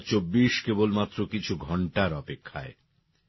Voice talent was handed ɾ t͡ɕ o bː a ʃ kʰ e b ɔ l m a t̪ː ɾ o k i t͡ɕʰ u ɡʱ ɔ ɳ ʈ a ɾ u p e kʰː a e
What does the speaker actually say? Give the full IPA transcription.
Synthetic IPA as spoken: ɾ t͡ɕ o bː i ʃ k e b o l m a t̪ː ɾ o k i t͡ɕʰ u ɡʱ ɔ ɳ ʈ a ɾ ɔ p e kʰː a e